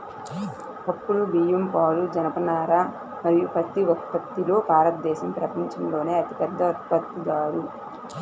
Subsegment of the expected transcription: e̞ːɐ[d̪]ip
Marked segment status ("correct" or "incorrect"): incorrect